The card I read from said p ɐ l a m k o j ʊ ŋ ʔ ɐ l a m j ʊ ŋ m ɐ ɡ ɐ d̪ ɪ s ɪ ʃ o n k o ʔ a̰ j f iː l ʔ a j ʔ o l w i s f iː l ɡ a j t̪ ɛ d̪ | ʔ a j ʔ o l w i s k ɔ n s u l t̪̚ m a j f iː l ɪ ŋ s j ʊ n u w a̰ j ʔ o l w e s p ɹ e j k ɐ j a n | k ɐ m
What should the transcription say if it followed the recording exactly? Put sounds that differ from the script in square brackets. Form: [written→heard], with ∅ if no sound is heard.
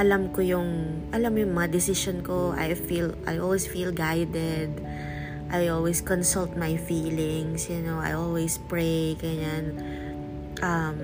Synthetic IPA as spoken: [p→ʔ] ɐ l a m k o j ʊ ŋ ʔ ɐ l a m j ʊ ŋ m ɐ [ɡ→ŋ] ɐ d̪ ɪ s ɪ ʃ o n k o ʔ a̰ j f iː l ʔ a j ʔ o l w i s f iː l ɡ a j [t̪→d̪] ɛ d̪ | ʔ a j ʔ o l w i s k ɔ n s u l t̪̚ m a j f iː l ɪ ŋ s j ʊ n [u→o] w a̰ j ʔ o l w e s p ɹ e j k ɐ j a n | [k→ʔ] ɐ m